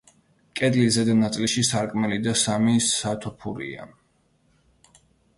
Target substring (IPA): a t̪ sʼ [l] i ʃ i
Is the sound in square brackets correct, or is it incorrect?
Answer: correct